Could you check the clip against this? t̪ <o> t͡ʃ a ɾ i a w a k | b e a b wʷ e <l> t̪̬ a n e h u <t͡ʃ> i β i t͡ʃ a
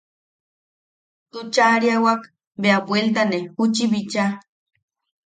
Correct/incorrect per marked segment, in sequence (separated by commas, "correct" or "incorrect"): incorrect, correct, correct